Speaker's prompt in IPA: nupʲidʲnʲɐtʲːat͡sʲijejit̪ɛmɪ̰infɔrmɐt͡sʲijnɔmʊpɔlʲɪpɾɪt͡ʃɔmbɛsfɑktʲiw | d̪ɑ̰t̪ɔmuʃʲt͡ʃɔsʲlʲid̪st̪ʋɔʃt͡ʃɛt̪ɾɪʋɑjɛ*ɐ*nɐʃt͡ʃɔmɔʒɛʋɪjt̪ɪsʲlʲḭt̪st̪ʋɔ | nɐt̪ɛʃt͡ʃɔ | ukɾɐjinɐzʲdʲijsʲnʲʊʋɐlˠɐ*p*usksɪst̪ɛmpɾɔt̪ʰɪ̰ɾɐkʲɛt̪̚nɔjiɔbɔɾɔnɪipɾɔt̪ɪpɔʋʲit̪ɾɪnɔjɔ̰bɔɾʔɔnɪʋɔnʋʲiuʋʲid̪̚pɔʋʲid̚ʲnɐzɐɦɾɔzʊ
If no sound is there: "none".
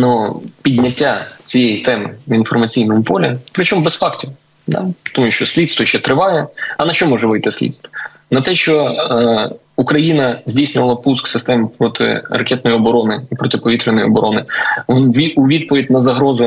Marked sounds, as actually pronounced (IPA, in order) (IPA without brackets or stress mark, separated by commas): ɐ, p